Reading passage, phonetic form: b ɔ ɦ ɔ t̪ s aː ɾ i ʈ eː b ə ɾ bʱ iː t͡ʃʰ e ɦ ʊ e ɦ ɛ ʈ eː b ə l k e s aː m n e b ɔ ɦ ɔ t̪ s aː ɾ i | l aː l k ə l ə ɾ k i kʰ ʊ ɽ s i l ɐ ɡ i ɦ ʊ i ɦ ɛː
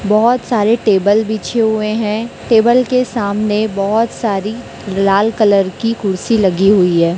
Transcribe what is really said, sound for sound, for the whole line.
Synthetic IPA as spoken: b ɔ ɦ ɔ t̪ s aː ɾ e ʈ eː b ə l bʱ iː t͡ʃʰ e ɦ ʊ e ɦ ɛ̃ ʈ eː b ə l k e s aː m n e b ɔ ɦ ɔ t̪ s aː ɾ i | l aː l k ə l ə ɾ k i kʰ ʊ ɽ s i l ɐ ɡ i ɦ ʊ i ɦ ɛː